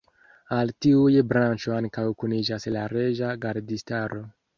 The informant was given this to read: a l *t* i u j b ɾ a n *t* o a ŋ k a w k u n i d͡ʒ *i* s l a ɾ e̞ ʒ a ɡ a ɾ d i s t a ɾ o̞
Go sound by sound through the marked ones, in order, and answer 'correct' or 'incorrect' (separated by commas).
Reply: correct, incorrect, incorrect